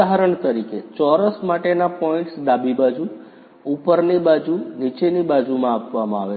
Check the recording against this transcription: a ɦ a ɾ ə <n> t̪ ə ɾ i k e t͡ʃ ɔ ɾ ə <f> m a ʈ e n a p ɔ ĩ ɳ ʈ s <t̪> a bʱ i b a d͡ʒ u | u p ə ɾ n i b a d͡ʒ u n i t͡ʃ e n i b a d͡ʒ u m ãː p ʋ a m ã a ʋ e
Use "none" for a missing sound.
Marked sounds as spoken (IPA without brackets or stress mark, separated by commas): ɳ, s, d̪